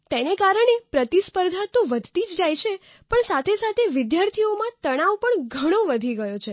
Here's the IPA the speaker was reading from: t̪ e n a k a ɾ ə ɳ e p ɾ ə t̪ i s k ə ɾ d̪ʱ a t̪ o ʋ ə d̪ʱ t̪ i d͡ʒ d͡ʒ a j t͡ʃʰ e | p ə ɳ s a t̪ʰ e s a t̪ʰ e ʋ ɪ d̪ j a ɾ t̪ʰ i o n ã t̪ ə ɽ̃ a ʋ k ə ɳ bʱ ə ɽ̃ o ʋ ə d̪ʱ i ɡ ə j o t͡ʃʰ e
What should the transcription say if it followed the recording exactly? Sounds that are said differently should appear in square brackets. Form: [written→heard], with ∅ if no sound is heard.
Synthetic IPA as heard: t̪ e n [a→e] k a ɾ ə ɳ e p ɾ ə t̪ i s [k→p] ə ɾ d̪ʱ a t̪ o ʋ ə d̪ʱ t̪ i d͡ʒ d͡ʒ a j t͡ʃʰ e | p ə ɳ s a t̪ʰ e s a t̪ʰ e ʋ ɪ d̪ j a ɾ t̪ʰ i o [n→m] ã t̪ ə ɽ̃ a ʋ [k→p] ə ɳ [bʱ→ɡʱ] ə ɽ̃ o ʋ ə d̪ʱ i ɡ ə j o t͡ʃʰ e

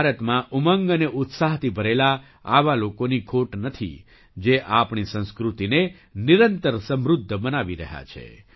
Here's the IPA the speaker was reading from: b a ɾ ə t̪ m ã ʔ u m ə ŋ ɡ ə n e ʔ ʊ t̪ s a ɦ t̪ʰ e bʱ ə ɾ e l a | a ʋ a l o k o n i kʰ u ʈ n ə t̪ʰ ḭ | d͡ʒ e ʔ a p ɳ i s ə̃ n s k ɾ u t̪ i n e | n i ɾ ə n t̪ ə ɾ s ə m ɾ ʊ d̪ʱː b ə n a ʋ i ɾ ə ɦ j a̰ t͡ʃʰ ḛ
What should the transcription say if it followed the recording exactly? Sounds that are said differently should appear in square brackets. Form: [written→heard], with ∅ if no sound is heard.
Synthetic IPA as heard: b a ɾ ə t̪ m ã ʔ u m ə ŋ ɡ ə n e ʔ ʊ t̪ s a ɦ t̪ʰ [e→i] bʱ ə ɾ e l a | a ʋ a l o k o n i kʰ [u→o] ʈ n ə t̪ʰ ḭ | d͡ʒ e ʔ a p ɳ i s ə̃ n s k ɾ u t̪ i n e | n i ɾ ə n t̪ ə ɾ s ə m ɾ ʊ d̪ʱː b ə n a ʋ i ɾ ə ɦ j a̰ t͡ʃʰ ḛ

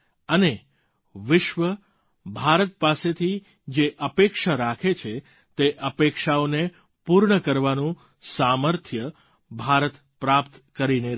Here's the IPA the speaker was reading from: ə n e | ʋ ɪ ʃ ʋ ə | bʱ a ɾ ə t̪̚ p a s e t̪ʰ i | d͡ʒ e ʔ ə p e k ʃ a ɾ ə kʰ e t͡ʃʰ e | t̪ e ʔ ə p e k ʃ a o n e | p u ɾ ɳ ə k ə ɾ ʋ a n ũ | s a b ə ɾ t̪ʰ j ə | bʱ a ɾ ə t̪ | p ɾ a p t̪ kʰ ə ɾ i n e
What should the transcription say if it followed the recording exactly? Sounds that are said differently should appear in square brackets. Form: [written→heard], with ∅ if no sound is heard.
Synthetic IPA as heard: ə n e | ʋ ɪ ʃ ʋ ə | bʱ a ɾ ə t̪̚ p a s e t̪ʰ i | d͡ʒ e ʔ ə p e k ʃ a ɾ [ə→a] kʰ e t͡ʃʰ e | t̪ e ʔ ə p e k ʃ a o n e | p u ɾ ɳ ə k ə ɾ ʋ a n ũ | s a [b→m] ə ɾ t̪ʰ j ə | bʱ a ɾ ə t̪ | p ɾ a p t̪ [kʰ→k] ə ɾ i n e

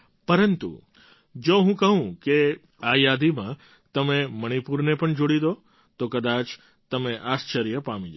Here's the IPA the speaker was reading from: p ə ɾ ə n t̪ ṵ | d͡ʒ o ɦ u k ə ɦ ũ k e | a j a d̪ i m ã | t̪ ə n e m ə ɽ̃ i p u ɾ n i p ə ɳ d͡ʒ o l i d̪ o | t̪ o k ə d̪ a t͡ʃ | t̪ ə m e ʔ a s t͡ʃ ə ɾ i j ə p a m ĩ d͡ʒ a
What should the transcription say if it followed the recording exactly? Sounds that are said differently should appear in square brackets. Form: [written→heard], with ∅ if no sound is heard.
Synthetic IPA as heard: p ə ɾ ə n t̪ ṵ | d͡ʒ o ɦ [u→ũ] k ə ɦ ũ k e | a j a d̪ i m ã | t̪ ə [n→m] e m ə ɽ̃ i p u ɾ n [i→e] p ə ɳ d͡ʒ o [l→ɽ] i d̪ o | t̪ o k ə d̪ a t͡ʃ | t̪ ə m e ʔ a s t͡ʃ ə ɾ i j ə p a m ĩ d͡ʒ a

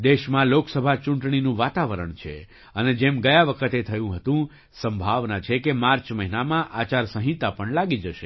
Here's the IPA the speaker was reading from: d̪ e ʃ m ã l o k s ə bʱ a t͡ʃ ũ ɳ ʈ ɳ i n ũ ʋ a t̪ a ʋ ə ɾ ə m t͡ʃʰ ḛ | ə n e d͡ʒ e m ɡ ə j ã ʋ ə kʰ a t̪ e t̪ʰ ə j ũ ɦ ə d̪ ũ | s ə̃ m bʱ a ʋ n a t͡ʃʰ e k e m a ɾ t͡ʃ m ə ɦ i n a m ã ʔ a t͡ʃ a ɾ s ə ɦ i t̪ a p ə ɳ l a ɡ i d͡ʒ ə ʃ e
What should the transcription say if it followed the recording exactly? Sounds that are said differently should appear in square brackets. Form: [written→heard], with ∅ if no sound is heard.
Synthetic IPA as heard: d̪ e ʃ m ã l o k s ə bʱ a t͡ʃ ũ ɳ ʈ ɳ i n ũ ʋ a t̪ a ʋ ə ɾ ə [m→ɳ] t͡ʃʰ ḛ | ə n e d͡ʒ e m ɡ ə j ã ʋ ə kʰ [a→ə] t̪ e t̪ʰ ə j ũ ɦ ə [d̪→t̪] ũ | s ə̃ m bʱ a ʋ n a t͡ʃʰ e k e m a ɾ t͡ʃ m ə ɦ i n a m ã ʔ a t͡ʃ a ɾ s ə ɦ i t̪ a p ə ɳ l a ɡ i d͡ʒ ə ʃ e

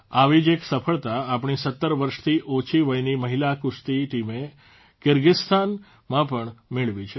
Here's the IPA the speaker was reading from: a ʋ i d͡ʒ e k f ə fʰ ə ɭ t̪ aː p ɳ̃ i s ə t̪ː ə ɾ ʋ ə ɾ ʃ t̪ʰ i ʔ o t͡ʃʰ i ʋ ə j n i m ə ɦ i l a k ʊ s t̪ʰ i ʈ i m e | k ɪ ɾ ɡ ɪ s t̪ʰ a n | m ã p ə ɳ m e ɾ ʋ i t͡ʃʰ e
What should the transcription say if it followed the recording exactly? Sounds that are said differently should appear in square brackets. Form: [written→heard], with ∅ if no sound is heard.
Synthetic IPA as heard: a ʋ i d͡ʒ e k [f→s] ə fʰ ə ɭ t̪ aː p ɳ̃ i s ə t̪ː ə ɾ ʋ ə ɾ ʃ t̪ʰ i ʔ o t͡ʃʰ i ʋ ə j n i m ə ɦ i l a k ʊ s [t̪ʰ→t̪] i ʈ i m e | k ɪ ɾ ɡ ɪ s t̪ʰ a n | m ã p ə ɳ m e [ɾ→ɭ] ʋ i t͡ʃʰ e

